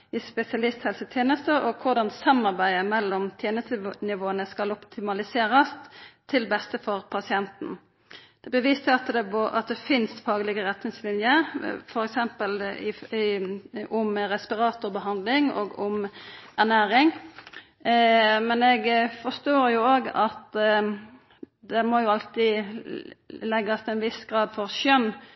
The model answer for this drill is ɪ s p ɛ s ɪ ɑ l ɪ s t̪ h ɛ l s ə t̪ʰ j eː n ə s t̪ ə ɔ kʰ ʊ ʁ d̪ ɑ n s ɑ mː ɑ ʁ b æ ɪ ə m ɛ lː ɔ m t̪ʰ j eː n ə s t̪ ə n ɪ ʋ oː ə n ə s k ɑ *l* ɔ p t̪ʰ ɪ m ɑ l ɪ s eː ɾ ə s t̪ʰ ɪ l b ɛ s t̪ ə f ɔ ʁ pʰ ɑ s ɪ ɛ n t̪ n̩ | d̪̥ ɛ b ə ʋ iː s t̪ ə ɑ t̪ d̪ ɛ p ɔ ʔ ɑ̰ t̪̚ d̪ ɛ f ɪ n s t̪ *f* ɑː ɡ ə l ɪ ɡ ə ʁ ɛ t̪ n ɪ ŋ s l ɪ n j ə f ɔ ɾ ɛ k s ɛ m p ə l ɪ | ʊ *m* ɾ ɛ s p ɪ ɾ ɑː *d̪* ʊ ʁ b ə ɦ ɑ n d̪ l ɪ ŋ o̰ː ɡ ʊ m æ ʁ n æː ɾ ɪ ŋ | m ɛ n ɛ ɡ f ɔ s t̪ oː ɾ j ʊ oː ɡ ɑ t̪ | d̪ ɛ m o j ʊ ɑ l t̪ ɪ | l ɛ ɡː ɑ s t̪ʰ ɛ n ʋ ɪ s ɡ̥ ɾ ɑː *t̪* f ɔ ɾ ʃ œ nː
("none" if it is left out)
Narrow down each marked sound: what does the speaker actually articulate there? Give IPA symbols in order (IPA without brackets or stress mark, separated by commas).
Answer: l, f, m, t̪, d̪